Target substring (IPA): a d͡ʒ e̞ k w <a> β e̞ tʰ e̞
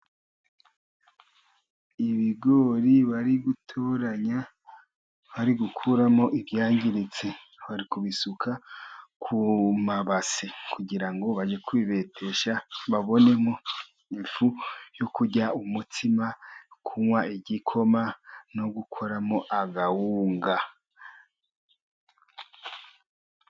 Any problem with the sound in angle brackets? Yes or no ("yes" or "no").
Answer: yes